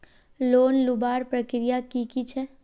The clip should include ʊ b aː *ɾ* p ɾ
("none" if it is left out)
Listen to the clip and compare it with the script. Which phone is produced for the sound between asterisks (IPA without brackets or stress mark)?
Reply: ɾ